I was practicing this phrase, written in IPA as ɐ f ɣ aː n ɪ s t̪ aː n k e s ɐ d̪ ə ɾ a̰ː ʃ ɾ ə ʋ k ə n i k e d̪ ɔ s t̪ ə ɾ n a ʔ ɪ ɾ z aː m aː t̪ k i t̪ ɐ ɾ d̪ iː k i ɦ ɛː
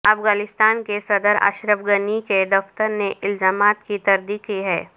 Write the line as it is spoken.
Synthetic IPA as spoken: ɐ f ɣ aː n ɪ s t̪ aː n k e s ɐ d̪ ə ɾ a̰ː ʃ ɾ ə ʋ ɡ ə n i k e d̪ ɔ f t̪ ə ɾ n e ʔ ɪ l z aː m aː t̪ k i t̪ ɐ ɾ d̪ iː k i ɦ ɛː